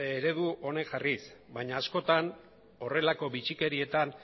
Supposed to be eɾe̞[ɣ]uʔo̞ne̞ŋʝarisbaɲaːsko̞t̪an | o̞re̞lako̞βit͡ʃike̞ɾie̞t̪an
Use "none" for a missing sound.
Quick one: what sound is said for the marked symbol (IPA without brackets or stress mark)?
ð